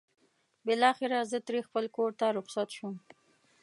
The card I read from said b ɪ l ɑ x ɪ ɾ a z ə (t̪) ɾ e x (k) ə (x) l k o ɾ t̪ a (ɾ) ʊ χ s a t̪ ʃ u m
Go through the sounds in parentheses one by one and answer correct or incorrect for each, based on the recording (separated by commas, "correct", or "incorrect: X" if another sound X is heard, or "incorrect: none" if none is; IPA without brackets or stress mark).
correct, incorrect: p, incorrect: none, correct